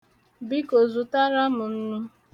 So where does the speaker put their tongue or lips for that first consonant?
lips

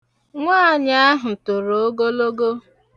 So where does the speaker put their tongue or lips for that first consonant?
velum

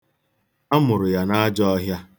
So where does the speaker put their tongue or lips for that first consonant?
lips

